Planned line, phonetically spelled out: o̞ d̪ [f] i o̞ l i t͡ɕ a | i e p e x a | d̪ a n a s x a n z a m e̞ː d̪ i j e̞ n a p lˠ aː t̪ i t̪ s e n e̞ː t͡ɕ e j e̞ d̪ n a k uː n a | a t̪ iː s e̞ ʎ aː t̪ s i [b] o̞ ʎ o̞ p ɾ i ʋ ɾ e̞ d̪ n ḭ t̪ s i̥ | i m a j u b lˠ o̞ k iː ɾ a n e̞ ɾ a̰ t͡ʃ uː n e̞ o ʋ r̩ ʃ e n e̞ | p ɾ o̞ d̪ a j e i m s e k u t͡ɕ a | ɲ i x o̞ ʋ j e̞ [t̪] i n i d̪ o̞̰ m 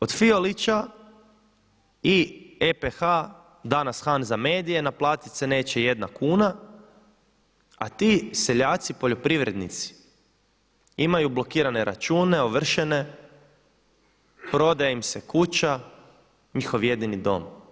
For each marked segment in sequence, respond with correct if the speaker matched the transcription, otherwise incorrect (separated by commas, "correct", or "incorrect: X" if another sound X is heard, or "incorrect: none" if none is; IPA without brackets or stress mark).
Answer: correct, incorrect: p, incorrect: d̪